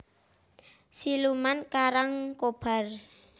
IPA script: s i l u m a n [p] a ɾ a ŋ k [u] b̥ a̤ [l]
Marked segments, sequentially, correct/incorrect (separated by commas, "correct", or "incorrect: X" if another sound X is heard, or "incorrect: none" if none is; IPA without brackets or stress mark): incorrect: k, incorrect: o, incorrect: r